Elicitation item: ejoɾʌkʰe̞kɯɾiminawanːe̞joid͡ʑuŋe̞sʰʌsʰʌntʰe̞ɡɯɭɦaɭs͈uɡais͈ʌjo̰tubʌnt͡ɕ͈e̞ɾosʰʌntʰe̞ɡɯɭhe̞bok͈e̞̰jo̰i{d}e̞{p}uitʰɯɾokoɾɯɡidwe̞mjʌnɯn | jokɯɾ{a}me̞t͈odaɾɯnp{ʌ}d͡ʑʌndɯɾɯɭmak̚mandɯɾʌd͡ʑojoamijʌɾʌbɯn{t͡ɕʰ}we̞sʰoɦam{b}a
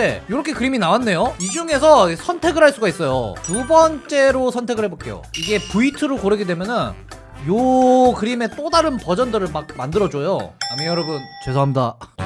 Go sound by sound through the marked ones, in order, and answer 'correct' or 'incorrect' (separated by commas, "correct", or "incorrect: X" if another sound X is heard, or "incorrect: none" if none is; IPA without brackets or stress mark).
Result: incorrect: ɡ, correct, incorrect: i, correct, incorrect: t͡ɕ, incorrect: d